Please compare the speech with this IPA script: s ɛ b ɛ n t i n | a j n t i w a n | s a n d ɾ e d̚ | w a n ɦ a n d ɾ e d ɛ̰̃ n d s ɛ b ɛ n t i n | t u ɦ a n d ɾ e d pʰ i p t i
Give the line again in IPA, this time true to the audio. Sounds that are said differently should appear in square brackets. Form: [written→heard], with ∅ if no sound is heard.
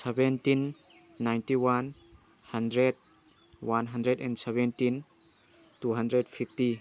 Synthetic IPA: s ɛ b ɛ n t i [n→nː] | a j n t i w a n | [s→h] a n d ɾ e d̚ | w a n ɦ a n d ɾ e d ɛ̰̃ n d s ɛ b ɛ n t i n | t u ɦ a n d ɾ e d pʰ i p t i